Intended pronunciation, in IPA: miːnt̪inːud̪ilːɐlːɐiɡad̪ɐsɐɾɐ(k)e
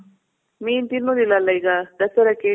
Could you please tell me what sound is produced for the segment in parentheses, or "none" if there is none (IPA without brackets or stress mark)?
k